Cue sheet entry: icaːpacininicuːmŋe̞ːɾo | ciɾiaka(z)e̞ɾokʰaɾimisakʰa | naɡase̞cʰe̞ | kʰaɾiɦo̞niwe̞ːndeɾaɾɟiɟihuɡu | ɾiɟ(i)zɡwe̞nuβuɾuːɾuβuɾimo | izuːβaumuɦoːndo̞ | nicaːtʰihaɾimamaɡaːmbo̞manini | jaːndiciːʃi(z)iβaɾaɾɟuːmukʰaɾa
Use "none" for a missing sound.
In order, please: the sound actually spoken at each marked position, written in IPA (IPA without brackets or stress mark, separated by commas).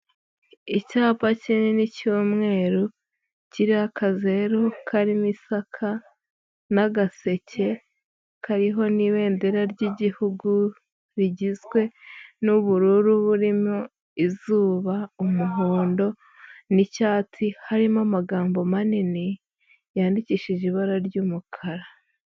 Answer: z, i, ʒ